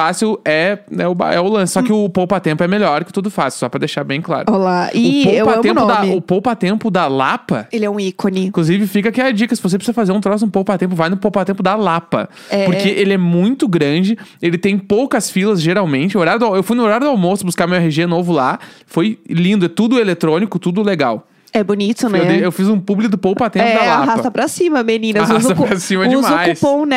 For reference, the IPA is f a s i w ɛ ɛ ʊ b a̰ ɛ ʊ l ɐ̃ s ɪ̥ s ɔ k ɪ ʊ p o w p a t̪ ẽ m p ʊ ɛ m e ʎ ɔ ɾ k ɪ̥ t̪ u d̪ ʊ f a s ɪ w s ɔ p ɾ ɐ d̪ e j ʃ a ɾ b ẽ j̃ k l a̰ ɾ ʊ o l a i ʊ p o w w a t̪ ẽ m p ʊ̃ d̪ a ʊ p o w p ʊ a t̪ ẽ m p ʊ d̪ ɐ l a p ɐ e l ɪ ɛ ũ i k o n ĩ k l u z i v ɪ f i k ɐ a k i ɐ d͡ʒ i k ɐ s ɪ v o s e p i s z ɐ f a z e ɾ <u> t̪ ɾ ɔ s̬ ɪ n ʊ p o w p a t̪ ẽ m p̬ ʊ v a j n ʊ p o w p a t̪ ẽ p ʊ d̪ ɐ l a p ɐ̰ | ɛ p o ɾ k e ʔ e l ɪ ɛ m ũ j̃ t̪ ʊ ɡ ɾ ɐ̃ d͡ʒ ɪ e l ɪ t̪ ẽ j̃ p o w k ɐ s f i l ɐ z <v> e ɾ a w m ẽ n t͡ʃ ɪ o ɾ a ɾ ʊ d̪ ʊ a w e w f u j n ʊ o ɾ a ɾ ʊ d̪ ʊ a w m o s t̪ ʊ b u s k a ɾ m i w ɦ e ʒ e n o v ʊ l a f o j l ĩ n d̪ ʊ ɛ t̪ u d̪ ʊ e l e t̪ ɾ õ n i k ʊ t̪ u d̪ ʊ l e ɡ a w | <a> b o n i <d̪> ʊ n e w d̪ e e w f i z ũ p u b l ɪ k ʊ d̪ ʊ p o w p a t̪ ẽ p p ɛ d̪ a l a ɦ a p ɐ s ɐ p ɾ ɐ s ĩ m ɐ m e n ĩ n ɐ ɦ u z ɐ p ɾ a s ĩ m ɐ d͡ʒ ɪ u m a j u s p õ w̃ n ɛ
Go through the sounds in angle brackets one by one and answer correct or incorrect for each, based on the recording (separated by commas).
incorrect, incorrect, incorrect, incorrect